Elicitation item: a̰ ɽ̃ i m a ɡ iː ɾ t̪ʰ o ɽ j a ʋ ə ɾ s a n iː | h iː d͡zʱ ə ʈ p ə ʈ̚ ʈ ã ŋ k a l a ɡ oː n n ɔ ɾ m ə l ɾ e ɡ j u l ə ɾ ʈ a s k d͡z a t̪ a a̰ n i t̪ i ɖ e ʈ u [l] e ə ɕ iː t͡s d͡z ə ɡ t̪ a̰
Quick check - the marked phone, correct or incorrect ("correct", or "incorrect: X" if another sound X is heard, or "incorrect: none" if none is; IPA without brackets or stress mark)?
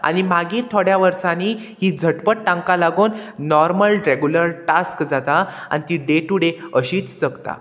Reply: incorrect: ɽ